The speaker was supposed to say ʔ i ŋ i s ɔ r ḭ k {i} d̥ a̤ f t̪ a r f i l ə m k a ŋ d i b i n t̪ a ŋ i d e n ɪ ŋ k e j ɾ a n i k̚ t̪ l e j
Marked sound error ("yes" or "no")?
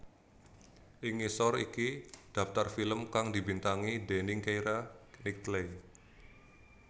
no